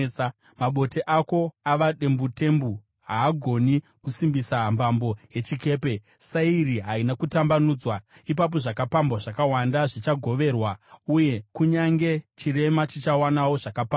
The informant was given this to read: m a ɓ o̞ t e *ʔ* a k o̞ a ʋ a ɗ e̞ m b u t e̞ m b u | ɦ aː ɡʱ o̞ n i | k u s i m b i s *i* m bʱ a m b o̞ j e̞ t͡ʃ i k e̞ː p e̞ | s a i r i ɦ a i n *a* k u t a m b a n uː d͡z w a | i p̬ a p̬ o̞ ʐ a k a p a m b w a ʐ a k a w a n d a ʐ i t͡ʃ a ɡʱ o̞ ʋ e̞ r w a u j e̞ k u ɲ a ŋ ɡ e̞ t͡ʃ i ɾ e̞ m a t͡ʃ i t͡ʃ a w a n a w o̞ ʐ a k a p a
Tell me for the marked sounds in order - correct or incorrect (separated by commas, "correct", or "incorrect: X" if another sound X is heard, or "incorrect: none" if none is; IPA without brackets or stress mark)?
correct, incorrect: a, correct